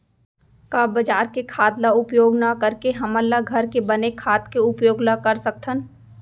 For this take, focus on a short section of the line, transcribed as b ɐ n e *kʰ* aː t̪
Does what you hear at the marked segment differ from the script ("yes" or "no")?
no